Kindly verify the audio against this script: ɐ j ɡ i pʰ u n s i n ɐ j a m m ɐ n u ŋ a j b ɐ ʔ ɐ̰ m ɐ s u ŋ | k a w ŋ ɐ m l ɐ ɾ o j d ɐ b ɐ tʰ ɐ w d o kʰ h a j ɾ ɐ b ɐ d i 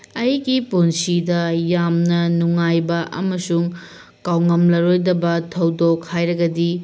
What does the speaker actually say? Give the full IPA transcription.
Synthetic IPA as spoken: ɐ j ɡ i p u n s i d ɐ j a m n ɐ n u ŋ a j b ɐ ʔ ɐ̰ m ɐ s u ŋ | k a w ŋ ɐ m l ɐ ɾ o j d ɐ b ɐ tʰ ɐ w d o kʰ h a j ɾ ɐ ɡ ɐ d i